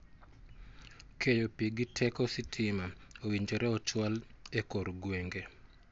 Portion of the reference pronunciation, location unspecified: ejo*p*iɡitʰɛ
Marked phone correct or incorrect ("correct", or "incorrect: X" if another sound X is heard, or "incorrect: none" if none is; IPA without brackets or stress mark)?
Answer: correct